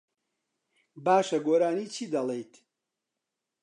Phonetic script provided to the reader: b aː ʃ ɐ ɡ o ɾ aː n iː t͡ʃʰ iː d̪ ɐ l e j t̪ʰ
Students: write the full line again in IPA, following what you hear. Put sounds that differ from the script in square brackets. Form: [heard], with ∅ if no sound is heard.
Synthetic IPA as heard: b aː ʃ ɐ ɡ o ɾ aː n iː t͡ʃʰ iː d̪ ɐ l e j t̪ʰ